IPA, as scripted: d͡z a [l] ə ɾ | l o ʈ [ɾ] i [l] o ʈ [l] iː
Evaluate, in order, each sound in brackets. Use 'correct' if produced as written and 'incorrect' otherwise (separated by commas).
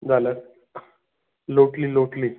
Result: correct, incorrect, correct, correct